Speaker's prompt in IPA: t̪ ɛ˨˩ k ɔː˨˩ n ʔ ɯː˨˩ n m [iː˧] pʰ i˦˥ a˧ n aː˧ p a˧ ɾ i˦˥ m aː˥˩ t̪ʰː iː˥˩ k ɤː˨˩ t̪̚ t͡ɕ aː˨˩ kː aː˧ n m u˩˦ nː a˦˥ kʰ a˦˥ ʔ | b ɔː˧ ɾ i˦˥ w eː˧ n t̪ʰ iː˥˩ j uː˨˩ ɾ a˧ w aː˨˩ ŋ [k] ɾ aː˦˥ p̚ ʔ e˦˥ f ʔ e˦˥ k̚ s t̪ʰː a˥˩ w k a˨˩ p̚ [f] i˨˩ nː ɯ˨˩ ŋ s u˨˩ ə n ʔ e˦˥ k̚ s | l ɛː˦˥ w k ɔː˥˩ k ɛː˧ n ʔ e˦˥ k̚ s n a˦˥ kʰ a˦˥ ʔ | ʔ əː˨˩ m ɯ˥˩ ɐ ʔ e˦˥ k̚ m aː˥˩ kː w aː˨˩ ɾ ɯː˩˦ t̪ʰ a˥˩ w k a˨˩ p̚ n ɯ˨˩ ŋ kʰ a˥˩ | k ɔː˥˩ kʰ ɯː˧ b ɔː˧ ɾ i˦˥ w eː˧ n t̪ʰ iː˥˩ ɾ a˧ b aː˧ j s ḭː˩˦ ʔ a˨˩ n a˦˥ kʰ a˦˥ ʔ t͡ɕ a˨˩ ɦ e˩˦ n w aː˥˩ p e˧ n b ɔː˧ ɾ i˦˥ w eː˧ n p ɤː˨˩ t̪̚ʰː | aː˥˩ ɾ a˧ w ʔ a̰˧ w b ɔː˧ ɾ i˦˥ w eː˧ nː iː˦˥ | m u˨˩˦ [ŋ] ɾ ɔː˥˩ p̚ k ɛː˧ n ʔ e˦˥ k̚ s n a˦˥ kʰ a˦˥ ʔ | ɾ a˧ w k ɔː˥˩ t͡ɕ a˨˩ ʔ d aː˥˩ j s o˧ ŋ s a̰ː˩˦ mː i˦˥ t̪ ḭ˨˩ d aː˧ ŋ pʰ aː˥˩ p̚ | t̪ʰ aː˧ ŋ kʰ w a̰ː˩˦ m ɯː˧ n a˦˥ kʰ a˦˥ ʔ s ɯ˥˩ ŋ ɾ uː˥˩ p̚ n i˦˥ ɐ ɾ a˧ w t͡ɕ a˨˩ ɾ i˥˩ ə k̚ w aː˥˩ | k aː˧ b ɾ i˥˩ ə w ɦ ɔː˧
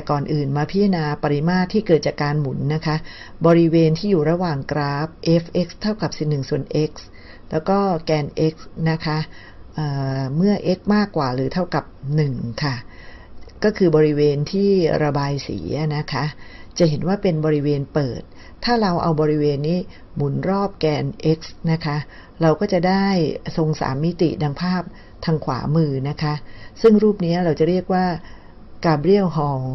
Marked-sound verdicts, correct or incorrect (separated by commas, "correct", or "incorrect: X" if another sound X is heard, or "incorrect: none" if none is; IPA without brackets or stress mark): incorrect: aː˧, correct, incorrect: s, incorrect: n